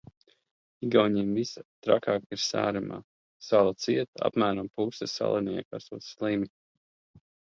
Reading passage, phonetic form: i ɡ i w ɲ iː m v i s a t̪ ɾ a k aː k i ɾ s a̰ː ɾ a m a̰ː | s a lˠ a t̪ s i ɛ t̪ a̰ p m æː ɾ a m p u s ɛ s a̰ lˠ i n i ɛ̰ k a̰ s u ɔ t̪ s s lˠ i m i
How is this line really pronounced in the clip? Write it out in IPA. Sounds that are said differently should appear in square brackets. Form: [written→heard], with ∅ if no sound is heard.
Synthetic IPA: i ɡ [i→a] w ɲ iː m v i s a t̪ ɾ a k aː k i ɾ s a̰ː ɾ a m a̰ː | s a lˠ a t̪ s i ɛ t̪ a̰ p m æː ɾ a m p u s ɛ s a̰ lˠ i n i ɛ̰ k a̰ s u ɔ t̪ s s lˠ i m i

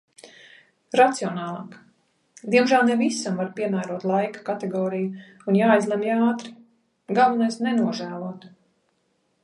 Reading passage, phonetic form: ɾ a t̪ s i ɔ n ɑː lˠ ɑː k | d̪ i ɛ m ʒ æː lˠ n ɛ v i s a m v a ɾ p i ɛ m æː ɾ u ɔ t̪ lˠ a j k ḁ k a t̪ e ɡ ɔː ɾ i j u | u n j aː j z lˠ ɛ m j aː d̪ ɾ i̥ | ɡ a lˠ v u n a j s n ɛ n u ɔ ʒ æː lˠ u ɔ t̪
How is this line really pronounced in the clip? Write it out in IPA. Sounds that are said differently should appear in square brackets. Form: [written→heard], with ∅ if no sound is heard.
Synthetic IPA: ɾ a t̪ s i ɔ n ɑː lˠ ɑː k | d̪ i ɛ m ʒ æː lˠ n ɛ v i s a m v a ɾ p i ɛ m æː ɾ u ɔ t̪ lˠ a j k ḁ k a t̪ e ɡ ɔː ɾ i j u | u n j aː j z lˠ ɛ m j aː [d̪→t̪] ɾ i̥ | ɡ a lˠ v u n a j s n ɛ n u ɔ ʒ æː lˠ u ɔ t̪

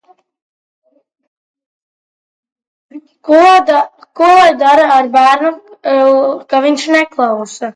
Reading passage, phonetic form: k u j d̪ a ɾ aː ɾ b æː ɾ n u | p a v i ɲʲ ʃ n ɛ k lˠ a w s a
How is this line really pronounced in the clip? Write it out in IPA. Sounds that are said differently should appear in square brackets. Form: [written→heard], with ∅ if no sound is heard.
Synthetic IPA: k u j d̪ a ɾ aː ɾ b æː ɾ n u | [p→k] a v i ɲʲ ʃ n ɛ k lˠ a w s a

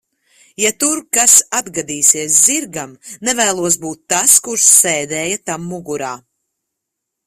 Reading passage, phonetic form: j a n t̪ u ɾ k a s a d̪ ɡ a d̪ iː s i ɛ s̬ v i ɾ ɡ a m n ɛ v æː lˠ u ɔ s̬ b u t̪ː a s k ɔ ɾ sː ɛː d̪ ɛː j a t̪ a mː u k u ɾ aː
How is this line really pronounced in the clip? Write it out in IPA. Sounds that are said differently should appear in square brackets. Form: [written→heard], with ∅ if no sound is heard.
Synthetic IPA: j a [n→∅] t̪ u ɾ k a s a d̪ ɡ a d̪ iː s i ɛ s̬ [v→z] i ɾ ɡ a m n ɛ v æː lˠ u ɔ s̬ b [u→uː] t̪ː a s k [ɔ→u] ɾ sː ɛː d̪ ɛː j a t̪ a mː u [k→ɡ] u ɾ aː

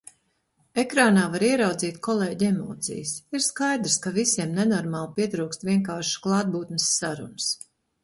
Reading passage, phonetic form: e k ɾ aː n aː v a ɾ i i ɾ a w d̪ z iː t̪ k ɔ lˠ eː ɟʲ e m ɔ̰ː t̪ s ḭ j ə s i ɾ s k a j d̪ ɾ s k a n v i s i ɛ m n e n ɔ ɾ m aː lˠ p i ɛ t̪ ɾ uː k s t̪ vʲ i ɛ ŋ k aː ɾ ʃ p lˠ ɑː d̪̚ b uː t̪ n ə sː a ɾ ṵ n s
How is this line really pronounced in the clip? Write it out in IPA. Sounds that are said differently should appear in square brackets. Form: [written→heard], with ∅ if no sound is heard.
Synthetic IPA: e k ɾ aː n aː v a ɾ i [i→ɛ] ɾ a w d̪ z iː t̪ k ɔ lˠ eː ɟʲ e m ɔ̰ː t̪ s ḭ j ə s i ɾ s k a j d̪ ɾ s k a [n→∅] v i s i ɛ m n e n ɔ ɾ m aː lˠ p i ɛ t̪ ɾ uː k s t̪ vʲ i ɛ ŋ k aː ɾ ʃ [p→k] lˠ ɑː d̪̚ b uː t̪ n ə sː a ɾ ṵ n s

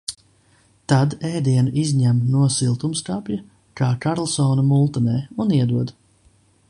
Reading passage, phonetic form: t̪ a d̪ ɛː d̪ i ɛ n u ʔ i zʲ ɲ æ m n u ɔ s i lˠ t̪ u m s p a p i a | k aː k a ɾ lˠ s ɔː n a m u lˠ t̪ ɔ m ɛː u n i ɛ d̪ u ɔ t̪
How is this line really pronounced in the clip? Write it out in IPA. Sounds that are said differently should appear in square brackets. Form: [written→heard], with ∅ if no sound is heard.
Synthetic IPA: t̪ a d̪ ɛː d̪ i ɛ n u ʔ i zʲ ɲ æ m n u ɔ s i lˠ t̪ u m s [p→k] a p [i→j] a | k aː k a ɾ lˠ s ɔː n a m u lˠ t̪ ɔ [m→n] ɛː u n i ɛ d̪ u ɔ [t̪→d̪]

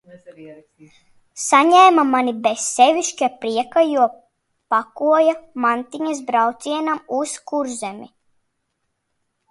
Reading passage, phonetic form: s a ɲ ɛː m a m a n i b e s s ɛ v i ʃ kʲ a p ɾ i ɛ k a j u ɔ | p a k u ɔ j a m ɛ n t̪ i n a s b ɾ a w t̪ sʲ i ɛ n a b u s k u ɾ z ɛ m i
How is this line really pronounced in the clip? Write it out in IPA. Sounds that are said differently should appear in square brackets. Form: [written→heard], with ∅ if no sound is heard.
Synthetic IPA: s a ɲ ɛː m a m a n i b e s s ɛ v i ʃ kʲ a p ɾ i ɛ k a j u ɔ | p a k u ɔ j a m [ɛ→a] n t̪ i [n→ɲ] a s b ɾ a w t̪ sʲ i ɛ n a [b→m] u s k u ɾ z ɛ m i

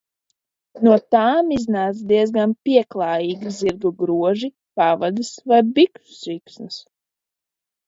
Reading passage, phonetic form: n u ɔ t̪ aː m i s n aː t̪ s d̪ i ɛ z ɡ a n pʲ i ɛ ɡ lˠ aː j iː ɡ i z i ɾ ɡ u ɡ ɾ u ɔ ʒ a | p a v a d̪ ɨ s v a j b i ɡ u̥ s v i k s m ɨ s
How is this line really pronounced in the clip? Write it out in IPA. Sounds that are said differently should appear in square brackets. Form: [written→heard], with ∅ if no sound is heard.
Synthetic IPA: n u ɔ t̪ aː m i [s→z] n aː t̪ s d̪ i ɛ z ɡ a n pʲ i ɛ [ɡ→k] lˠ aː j iː ɡ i z i ɾ ɡ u ɡ ɾ u ɔ ʒ [a→i] | p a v a d̪ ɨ s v a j b i [ɡ→k] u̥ s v i k s [m→n] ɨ s

